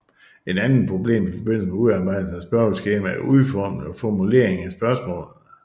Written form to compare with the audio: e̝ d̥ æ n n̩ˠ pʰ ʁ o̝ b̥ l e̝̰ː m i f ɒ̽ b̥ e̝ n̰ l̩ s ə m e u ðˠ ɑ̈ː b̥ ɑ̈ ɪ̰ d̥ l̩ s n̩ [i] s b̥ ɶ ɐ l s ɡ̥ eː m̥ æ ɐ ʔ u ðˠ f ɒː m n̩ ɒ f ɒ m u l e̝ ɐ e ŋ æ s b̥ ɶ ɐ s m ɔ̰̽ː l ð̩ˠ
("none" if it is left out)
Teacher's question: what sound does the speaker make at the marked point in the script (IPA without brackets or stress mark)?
æ